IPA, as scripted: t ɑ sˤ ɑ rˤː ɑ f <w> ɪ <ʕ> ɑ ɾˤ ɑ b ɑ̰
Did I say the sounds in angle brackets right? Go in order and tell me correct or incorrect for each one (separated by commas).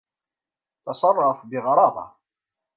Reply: incorrect, incorrect